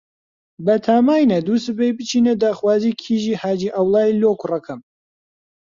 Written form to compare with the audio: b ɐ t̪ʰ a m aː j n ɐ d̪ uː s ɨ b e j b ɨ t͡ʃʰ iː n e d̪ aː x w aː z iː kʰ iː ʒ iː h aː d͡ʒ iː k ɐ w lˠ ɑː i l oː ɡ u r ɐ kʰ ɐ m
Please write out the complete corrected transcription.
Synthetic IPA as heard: b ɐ t̪ʰ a m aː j n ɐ d̪ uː s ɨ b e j b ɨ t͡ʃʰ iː n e d̪ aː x w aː z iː kʰ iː ʒ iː h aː d͡ʒ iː ʔ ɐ w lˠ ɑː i l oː k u r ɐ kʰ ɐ m

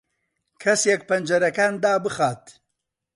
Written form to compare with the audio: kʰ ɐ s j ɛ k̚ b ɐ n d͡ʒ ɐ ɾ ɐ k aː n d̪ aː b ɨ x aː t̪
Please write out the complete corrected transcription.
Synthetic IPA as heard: kʰ ɐ s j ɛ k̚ p ɐ n d͡ʒ ɐ ɾ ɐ k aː n d̪ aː b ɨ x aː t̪

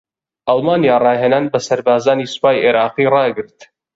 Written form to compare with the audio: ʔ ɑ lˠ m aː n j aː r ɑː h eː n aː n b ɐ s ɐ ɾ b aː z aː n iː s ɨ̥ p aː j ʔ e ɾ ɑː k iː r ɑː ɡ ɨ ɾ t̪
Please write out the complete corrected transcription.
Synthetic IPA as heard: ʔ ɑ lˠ m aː n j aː r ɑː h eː n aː n b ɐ s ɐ ɾ b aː z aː n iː s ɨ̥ p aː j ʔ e ɾ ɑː q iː r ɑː ɡ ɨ ɾ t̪

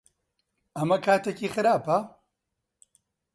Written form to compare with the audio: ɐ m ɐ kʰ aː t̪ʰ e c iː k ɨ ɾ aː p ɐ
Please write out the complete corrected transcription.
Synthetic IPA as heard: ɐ m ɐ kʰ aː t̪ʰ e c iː x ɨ ɾ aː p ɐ

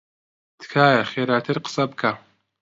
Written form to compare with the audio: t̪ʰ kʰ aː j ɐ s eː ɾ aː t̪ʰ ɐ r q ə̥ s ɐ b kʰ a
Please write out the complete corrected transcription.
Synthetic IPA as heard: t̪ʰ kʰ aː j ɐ χ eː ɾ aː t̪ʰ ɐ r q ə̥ s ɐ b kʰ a

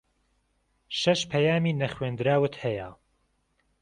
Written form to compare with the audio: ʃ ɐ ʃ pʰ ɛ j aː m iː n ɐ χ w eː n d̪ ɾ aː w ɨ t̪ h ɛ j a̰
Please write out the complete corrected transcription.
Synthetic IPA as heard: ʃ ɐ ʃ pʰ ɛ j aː m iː n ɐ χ w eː n d̪ ɾ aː w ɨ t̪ h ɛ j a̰

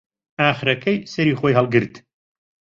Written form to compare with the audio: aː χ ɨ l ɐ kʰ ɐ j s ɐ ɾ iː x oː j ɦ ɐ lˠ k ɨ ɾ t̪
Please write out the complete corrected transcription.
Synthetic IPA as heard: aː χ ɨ ɾ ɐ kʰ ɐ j s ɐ ɾ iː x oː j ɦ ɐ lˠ ɡ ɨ ɾ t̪

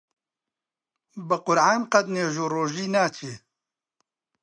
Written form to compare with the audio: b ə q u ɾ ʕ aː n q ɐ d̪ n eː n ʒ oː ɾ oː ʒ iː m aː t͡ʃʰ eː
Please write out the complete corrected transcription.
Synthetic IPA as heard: b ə q ʊ ɾ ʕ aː n q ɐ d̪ n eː ʒ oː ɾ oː ʒ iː n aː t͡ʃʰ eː

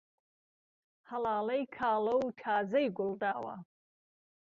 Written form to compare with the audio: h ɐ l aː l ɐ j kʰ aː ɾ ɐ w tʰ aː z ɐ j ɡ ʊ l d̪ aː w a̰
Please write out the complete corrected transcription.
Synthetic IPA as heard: h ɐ l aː l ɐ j kʰ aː l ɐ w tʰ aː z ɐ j ɡ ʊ l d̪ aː w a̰

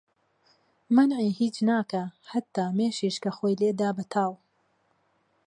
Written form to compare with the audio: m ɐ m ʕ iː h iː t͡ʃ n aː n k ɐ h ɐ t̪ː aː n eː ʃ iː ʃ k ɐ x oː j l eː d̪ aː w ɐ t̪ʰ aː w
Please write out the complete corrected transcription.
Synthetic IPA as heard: m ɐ n ʕ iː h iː t͡ʃ n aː k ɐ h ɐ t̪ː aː m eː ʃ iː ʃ k ɐ x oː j l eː d̪ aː b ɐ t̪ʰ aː w

